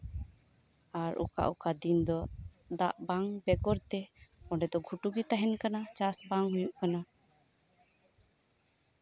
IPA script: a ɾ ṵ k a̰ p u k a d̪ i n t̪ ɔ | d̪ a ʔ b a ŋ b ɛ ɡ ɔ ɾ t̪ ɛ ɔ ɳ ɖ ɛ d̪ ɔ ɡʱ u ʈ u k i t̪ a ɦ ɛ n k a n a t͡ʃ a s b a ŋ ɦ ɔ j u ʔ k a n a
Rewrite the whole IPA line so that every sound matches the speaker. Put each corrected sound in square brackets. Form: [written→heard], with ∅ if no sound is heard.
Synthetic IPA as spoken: a ɾ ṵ k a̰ [p→ʔ] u k a d̪ i n [t̪→d̪] ɔ | d̪ a ʔ b a ŋ b ɛ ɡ ɔ ɾ t̪ ɛ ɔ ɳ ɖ ɛ d̪ ɔ ɡʱ u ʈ u [k→ɡ] i t̪ a ɦ ɛ n k a n a t͡ʃ a s b a ŋ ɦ [ɔ→u] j u ʔ k a n a

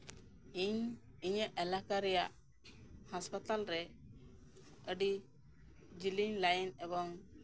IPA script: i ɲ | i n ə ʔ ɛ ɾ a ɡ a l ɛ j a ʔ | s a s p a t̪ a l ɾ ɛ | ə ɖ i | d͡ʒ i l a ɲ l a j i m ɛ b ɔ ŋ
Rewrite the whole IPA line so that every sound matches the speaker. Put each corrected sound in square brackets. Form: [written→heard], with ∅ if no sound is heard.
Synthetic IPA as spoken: i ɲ | i [n→ɲ] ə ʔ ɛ [ɾ→l] a [ɡ→k] a [l→ɾ] ɛ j a ʔ | [s→h] a s p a t̪ a l ɾ ɛ | ə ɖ i | d͡ʒ i l [a→i] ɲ l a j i [m→n] ɛ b ɔ ŋ

